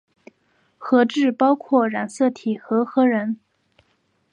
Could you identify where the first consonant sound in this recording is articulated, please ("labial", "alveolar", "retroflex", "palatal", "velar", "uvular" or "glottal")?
velar